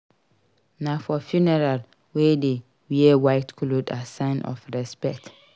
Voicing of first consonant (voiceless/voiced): voiced